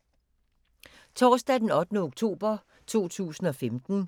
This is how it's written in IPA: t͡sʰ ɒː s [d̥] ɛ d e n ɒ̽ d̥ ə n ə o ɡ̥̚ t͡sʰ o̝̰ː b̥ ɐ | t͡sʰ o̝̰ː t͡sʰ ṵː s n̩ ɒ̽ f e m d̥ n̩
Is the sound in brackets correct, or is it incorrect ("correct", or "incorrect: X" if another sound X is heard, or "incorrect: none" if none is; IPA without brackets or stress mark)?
correct